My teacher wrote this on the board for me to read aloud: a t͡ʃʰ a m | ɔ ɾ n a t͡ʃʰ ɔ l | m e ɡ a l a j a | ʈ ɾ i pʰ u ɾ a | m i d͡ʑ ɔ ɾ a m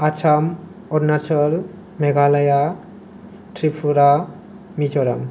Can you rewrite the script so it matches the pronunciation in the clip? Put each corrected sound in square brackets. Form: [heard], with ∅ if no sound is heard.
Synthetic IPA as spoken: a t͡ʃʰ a m | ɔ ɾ n a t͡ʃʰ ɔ l | m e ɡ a l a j a | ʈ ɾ i pʰ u ɾ a | m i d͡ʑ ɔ ɾ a m